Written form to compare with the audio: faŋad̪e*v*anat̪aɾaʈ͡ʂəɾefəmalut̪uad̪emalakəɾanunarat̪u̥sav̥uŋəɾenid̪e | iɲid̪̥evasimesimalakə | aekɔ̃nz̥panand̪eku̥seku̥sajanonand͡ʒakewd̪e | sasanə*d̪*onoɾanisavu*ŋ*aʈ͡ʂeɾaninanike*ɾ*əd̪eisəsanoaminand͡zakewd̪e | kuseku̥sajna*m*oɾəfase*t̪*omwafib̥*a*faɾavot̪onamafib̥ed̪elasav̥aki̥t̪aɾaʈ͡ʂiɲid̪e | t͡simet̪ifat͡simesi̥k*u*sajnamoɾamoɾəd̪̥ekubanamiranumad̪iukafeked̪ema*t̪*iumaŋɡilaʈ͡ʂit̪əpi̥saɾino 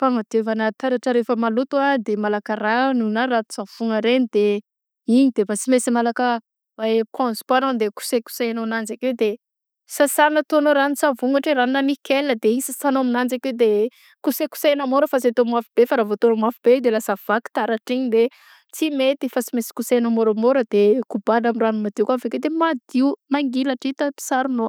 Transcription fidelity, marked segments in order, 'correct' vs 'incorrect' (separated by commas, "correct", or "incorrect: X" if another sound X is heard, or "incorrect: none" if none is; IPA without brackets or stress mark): correct, incorrect: t̪, correct, incorrect: l, correct, correct, incorrect: e, correct, incorrect: d̪